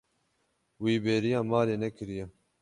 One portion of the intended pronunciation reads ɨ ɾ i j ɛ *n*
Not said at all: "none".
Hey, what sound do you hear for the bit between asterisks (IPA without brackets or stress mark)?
none